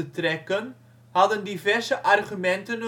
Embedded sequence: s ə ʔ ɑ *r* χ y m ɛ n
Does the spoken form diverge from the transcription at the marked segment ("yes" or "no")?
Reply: no